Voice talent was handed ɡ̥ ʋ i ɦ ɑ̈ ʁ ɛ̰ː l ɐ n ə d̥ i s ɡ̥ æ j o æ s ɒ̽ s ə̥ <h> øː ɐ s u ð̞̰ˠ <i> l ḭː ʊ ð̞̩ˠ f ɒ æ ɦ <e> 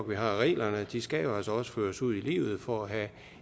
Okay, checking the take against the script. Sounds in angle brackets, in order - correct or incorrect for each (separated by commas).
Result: incorrect, correct, incorrect